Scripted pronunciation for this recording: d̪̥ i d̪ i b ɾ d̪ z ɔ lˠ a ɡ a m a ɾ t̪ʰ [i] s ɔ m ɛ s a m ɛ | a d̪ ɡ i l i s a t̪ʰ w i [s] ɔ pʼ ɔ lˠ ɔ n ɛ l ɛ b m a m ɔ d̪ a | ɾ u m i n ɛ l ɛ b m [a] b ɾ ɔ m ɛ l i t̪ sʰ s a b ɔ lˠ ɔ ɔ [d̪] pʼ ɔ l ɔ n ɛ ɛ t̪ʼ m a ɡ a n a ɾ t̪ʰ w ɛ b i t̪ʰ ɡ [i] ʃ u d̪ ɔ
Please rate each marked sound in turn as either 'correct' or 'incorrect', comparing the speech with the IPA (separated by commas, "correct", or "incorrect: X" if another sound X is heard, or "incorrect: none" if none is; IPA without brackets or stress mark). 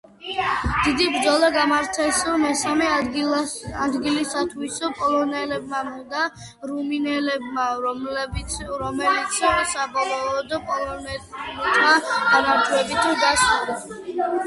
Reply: incorrect: ɛ, correct, correct, correct, incorrect: a